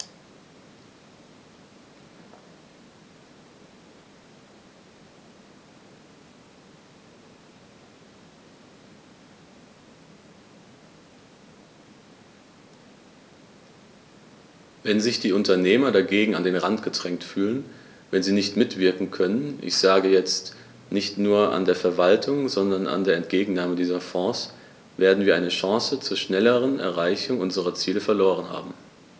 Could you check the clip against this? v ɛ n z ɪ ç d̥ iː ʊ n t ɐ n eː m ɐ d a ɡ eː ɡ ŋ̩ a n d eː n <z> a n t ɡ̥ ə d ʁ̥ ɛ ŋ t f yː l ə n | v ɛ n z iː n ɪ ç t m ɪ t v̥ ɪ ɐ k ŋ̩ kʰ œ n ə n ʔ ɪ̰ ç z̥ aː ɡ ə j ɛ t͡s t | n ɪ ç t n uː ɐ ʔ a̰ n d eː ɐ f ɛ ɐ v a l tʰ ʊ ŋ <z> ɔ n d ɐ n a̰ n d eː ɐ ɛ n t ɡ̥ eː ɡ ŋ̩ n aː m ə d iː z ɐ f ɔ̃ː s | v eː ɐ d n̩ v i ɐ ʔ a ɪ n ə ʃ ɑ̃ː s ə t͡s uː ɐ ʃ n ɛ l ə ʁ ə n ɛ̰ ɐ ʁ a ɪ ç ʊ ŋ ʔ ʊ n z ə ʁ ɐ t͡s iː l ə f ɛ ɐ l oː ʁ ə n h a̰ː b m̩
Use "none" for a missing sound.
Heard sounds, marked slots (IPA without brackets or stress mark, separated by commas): ʁ, z